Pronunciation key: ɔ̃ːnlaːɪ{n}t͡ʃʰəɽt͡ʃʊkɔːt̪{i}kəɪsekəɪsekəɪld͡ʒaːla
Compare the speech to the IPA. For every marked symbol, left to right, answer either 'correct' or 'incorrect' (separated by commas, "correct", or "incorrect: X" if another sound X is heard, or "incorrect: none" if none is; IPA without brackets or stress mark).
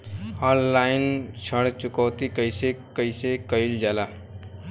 correct, correct